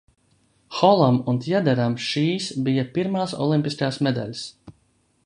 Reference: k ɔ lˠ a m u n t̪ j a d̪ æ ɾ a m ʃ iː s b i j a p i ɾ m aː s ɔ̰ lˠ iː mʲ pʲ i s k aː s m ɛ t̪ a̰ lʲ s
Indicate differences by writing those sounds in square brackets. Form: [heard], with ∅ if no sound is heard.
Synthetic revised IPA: [x] ɔ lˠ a m u n t̪ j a d̪ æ ɾ a m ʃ iː s b i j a p i ɾ m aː s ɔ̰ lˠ [i] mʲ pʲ i s k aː s m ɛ [d̪] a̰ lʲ s

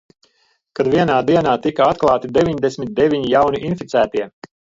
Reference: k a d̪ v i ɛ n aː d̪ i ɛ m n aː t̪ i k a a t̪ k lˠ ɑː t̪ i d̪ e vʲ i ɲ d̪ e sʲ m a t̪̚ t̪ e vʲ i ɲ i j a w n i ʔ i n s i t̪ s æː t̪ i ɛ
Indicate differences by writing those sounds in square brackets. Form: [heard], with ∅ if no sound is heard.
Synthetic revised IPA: k a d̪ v i ɛ n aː d̪ i ɛ [∅] n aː t̪ i k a a t̪ k lˠ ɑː t̪ i d̪ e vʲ i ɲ d̪ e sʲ m [i] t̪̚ [d̪] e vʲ i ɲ i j a w n i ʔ i n [f] i t̪ s æː t̪ i ɛ

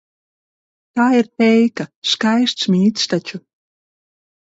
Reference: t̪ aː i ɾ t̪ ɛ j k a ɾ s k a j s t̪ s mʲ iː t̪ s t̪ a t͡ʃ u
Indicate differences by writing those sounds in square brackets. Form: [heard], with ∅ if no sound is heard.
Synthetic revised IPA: t̪ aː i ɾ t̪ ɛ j k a [∅] s k a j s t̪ s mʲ iː t̪ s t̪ a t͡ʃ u

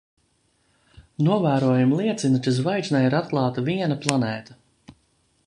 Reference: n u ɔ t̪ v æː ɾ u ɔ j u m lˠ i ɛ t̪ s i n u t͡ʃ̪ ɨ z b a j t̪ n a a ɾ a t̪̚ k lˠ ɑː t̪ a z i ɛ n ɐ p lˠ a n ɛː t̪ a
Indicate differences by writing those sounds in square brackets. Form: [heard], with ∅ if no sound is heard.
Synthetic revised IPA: n u ɔ [∅] v æː ɾ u ɔ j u m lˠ i ɛ t̪ s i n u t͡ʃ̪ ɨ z [v] a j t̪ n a [i] ɾ a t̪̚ k lˠ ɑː t̪ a [v] i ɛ n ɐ p lˠ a n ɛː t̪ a

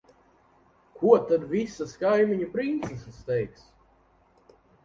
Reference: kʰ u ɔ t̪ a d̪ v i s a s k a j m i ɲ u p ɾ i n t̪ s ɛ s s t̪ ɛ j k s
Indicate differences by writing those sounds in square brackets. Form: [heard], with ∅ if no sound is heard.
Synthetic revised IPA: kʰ u ɔ t̪ a d̪ v i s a s k a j m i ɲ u p ɾ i n t̪ s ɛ s s t̪ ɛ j k s

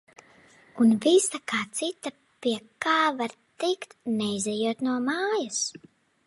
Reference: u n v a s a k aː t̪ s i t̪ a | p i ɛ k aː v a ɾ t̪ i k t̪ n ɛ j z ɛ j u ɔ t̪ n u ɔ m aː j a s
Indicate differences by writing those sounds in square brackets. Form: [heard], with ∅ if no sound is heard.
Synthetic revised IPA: u n v [i] s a k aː t̪ s i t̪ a | p i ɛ k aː v a ɾ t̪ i k t̪ n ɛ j z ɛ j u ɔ t̪ n u ɔ m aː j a s

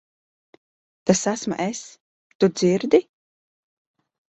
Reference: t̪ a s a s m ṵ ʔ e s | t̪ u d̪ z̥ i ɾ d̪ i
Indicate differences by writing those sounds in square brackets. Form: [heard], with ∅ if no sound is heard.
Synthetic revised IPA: t̪ a s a s m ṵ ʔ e s | t̪ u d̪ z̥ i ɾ d̪ i

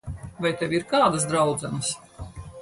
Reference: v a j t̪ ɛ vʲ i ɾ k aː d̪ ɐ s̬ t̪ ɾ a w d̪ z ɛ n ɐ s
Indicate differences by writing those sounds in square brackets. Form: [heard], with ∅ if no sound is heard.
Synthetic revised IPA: v a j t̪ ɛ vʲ i ɾ k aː d̪ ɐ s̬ [d̪] ɾ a w d̪ z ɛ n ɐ s

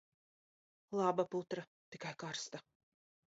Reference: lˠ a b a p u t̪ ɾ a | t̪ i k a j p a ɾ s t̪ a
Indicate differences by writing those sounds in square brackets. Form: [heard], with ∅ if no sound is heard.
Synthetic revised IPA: lˠ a b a p u t̪ ɾ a | t̪ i k a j [k] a ɾ s t̪ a

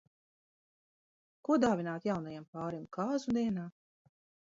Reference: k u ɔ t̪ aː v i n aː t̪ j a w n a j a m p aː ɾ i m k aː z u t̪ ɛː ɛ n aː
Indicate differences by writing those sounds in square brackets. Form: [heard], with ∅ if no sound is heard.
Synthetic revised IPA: k u ɔ [d̪] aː v i n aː t̪ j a w n a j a m p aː ɾ i m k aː z u [d̪] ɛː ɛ n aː

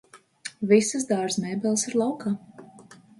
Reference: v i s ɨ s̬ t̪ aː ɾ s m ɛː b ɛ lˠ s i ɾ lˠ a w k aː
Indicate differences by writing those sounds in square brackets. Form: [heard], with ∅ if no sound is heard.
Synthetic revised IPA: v i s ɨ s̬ [d̪] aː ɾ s m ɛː b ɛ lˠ s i ɾ lˠ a w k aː

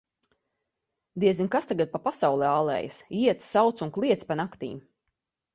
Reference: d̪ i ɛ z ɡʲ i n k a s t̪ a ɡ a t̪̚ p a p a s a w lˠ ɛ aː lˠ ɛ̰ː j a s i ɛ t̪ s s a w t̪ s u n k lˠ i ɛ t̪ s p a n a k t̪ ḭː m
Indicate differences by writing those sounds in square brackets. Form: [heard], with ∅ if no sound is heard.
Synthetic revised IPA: d̪ i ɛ z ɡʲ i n k a s t̪ a ɡ a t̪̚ p a p a s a w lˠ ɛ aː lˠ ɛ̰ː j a s i ɛ t̪ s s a w t̪ s u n k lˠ i ɛ t̪ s p a n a k t̪ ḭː m

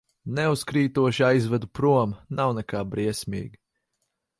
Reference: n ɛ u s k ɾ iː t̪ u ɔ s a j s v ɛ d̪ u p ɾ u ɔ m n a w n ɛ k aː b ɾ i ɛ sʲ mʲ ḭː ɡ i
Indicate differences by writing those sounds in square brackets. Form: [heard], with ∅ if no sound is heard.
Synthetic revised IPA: n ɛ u s k ɾ iː t̪ u ɔ [ʃ] a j [z] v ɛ d̪ u p ɾ u ɔ m n a w n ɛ k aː b ɾ i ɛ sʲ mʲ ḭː ɡ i

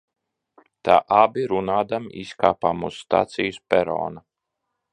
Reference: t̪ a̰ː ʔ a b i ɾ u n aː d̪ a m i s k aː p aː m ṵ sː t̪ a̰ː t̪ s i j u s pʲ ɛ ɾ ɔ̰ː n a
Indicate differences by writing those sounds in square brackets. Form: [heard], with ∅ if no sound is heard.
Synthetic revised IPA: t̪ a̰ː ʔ a b i ɾ u n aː d̪ a m i s k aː p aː m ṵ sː t̪ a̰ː t̪ s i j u s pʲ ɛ ɾ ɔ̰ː n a

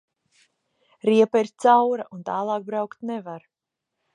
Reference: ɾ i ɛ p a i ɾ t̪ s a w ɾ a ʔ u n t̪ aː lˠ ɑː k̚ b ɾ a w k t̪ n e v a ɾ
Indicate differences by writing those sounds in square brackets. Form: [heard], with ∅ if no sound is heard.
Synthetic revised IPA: ɾ i ɛ p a i ɾ t̪ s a w ɾ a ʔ u n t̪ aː lˠ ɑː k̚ b ɾ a w k t̪ n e v a ɾ

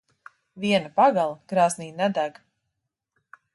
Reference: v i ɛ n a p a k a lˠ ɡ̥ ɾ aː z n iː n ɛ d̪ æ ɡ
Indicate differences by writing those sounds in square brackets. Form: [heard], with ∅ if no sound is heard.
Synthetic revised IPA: v i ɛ n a p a [ɡ] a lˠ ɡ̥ ɾ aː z n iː n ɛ d̪ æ ɡ

